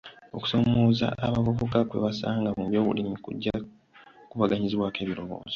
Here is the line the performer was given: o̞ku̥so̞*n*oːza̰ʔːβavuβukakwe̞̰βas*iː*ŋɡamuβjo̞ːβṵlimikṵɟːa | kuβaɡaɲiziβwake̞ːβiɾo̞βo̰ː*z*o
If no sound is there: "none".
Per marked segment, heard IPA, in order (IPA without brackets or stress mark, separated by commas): m, aː, z